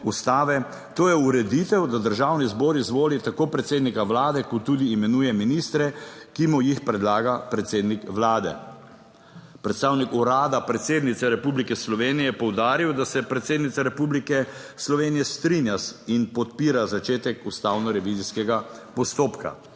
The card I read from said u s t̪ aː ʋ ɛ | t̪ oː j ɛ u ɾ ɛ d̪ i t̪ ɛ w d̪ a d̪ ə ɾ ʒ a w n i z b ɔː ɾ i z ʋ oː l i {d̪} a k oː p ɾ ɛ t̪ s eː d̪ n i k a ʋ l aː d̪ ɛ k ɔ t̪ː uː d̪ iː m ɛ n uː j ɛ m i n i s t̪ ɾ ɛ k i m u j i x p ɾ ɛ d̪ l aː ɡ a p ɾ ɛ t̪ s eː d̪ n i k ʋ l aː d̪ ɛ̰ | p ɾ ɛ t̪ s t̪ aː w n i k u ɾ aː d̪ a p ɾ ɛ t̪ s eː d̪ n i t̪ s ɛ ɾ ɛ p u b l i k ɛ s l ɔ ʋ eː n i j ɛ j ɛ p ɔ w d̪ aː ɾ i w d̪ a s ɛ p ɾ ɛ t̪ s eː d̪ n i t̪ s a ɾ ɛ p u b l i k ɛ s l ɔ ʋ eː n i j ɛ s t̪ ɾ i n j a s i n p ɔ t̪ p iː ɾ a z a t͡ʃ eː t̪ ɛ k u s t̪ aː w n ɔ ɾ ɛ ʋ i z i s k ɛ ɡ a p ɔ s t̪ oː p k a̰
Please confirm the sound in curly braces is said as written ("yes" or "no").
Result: no